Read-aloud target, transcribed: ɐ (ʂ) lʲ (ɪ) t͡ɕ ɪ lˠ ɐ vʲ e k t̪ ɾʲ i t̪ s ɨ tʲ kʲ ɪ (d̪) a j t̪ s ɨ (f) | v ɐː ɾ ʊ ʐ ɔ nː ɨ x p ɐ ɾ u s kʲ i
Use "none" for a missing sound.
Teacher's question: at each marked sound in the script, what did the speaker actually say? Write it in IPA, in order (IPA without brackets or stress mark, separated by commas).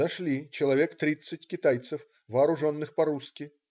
ʂ, i, t̪, f